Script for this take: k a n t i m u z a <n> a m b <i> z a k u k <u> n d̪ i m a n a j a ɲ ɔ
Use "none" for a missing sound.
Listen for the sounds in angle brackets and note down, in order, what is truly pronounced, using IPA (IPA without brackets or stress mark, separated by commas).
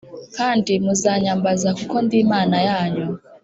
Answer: ɲ, a, ɔ